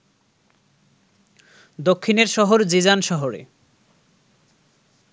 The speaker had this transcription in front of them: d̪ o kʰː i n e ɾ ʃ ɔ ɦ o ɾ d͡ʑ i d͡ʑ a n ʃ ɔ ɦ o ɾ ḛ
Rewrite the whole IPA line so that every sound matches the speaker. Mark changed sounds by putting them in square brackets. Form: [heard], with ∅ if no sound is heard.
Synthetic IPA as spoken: d̪ o kʰː i n e ɾ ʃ ɔ ɦ o ɾ d͡ʑ i d͡ʑ a n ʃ ɔ ɦ o ɾ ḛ